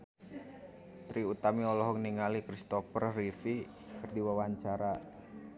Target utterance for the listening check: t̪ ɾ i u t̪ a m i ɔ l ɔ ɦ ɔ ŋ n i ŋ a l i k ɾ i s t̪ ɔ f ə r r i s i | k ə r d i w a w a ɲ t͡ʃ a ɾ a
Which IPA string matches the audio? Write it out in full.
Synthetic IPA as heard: t̪ ɾ i u t̪ a m i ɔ l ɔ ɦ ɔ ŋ n i ŋ a l i k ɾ i s t̪ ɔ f ə r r i f i | k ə r d i w a w a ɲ t͡ʃ a ɾ a